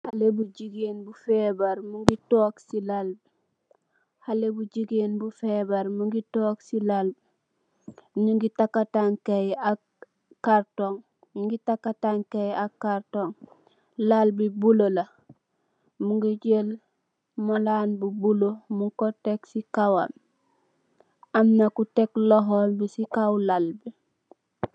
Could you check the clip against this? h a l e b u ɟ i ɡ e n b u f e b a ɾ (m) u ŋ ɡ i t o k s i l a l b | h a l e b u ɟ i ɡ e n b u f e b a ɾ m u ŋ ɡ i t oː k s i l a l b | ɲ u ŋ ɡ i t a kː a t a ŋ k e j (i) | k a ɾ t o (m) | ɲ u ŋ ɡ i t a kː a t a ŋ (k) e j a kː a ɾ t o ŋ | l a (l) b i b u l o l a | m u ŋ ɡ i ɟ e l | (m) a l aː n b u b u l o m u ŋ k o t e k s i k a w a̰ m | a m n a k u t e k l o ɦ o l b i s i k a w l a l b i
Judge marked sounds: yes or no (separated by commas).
yes, no, no, yes, yes, yes